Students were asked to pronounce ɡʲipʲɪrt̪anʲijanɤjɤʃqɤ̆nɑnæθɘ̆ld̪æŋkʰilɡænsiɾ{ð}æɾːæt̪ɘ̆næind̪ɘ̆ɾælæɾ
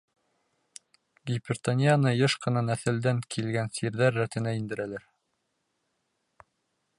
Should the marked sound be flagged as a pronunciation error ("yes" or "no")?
no